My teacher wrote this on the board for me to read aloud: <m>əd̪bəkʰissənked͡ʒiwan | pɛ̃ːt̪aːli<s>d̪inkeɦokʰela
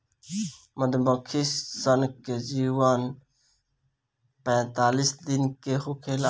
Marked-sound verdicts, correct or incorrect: correct, correct

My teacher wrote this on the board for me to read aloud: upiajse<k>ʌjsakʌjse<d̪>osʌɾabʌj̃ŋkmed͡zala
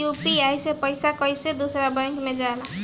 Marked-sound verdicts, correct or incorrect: incorrect, correct

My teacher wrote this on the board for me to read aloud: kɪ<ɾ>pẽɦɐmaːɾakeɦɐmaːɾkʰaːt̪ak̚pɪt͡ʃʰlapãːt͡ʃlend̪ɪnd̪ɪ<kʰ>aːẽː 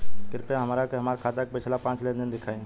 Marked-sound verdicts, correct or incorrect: correct, correct

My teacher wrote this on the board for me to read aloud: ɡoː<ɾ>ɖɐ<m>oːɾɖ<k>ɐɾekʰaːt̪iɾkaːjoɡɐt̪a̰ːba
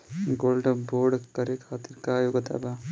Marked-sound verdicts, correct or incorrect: incorrect, incorrect, correct

